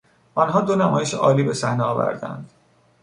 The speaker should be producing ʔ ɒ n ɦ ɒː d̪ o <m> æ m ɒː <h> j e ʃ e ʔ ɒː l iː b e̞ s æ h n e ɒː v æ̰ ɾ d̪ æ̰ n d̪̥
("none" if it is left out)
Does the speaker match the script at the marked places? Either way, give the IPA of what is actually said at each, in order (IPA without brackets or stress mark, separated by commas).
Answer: n, none